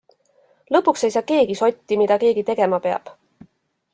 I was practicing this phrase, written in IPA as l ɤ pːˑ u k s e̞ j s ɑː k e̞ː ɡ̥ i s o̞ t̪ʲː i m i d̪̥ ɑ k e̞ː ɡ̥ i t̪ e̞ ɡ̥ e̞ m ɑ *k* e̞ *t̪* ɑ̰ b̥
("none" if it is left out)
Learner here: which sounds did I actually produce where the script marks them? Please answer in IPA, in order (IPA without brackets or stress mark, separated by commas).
p, none